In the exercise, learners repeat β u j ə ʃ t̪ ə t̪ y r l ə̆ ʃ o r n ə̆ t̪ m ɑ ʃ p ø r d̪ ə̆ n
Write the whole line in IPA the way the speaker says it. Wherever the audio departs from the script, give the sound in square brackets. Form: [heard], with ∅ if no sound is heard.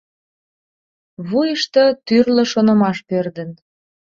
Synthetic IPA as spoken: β u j ə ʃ t̪ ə t̪ y r l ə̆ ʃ o [∅] n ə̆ [∅] m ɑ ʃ p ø r d̪ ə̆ n